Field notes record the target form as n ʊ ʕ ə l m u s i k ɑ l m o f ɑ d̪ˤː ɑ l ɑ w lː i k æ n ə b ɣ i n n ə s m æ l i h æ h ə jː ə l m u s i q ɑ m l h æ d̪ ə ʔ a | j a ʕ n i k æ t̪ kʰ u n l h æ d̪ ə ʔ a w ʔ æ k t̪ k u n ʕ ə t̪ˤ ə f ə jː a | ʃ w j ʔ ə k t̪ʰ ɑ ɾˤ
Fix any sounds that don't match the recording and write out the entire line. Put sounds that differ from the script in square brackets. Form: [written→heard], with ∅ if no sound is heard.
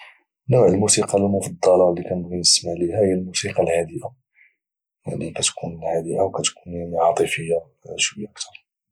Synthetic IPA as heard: n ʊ ʕ ə l m u s i [k→q] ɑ l m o f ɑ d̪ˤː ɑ l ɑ w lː i k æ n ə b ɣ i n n ə s m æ l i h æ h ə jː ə l m u s i q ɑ [m→∅] l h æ d̪ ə ʔ a | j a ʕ n i k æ t̪ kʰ u n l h æ d̪ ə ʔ a w [ʔ→k] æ [k→∅] t̪ k u n ʕ [ə→ɑ] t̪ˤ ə f ə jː a | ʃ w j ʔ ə k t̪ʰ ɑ ɾˤ